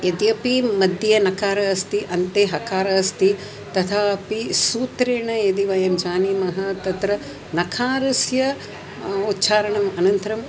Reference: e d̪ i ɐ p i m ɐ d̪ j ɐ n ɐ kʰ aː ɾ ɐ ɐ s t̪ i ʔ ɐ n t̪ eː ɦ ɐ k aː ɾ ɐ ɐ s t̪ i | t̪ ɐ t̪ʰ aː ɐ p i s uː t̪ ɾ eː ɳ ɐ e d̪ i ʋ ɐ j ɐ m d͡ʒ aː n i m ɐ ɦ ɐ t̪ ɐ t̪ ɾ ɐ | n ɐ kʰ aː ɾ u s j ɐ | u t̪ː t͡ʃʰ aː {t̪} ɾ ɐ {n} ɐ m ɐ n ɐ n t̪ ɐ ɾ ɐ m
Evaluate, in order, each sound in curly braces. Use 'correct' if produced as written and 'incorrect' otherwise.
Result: incorrect: none, incorrect: ɳ

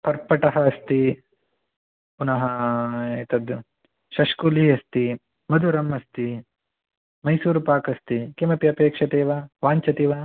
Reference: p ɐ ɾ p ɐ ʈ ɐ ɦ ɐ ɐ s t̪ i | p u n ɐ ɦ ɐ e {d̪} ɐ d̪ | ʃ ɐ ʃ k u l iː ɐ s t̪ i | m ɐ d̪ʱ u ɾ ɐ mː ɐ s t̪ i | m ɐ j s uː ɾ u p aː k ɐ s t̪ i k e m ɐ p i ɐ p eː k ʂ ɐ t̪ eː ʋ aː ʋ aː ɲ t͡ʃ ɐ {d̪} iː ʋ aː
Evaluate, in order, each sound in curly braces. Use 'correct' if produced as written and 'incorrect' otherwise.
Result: incorrect: t̪, incorrect: t̪

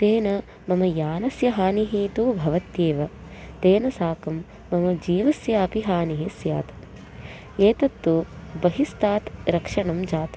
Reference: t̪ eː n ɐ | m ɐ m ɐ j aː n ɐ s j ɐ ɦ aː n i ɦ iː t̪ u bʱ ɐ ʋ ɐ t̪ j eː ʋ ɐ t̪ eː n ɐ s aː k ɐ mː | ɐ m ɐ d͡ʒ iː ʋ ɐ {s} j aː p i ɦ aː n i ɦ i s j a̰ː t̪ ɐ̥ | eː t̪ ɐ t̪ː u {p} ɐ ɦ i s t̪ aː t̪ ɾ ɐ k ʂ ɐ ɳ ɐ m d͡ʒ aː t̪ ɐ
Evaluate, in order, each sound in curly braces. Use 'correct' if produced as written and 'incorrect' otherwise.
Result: correct, incorrect: b

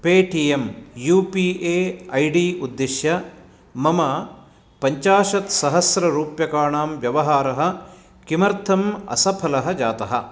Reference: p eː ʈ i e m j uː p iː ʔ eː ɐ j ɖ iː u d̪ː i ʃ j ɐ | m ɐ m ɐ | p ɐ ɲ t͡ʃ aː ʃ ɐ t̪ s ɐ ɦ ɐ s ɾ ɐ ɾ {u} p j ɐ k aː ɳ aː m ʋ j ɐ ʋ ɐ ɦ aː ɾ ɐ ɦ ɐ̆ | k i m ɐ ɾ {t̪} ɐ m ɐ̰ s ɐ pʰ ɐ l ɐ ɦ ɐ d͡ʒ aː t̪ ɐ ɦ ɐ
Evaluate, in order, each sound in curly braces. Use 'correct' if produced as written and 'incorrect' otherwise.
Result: incorrect: uː, incorrect: t̪ʰ

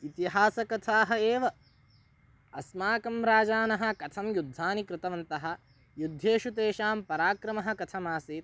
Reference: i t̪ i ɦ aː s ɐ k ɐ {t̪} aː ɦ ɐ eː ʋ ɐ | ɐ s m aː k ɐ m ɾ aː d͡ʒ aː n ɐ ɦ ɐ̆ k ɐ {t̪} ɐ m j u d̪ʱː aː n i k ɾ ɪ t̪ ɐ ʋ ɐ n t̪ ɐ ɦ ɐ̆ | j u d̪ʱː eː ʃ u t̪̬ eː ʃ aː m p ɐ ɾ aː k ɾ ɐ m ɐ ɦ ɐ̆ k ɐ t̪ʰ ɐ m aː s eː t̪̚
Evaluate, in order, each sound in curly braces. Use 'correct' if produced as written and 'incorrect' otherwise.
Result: incorrect: t̪ʰ, incorrect: t̪ʰ

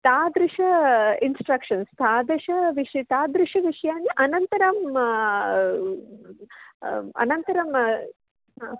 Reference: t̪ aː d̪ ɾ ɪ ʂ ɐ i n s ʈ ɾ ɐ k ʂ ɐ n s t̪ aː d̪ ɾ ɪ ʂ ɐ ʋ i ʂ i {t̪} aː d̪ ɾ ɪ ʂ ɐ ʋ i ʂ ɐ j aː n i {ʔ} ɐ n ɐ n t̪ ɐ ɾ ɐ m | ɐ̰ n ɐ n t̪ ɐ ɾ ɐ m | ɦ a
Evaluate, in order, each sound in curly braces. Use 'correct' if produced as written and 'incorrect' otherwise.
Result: correct, correct

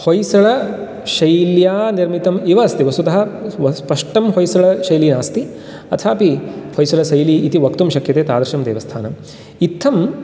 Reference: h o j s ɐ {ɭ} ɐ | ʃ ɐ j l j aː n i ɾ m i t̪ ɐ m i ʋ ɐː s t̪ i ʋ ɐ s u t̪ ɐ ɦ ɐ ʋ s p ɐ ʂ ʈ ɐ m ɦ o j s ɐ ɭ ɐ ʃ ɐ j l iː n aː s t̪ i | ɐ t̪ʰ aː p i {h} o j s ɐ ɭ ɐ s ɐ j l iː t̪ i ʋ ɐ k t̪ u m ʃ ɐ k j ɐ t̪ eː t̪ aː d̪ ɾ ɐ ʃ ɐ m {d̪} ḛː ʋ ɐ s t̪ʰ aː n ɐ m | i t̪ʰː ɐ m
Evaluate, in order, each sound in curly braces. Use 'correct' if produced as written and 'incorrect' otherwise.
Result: correct, correct, correct

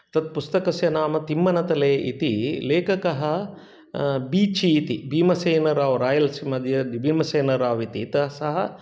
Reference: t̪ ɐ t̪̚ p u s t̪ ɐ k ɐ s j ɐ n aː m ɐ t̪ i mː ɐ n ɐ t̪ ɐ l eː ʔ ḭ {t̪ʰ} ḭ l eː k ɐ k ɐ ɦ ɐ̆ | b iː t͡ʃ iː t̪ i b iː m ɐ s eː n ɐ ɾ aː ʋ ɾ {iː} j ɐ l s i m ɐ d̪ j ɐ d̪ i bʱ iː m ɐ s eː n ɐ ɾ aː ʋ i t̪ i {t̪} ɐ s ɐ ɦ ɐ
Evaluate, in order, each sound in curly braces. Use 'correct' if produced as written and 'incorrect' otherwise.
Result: incorrect: t̪, incorrect: aː, correct

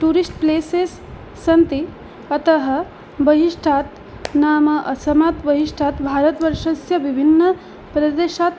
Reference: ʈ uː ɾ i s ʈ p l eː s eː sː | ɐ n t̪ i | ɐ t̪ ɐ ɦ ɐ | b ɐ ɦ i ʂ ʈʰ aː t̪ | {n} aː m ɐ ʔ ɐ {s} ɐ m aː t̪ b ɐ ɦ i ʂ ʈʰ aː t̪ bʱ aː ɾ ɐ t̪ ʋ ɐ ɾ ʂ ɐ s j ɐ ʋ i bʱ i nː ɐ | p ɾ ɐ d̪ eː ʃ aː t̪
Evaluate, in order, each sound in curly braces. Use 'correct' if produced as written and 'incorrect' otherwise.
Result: correct, correct

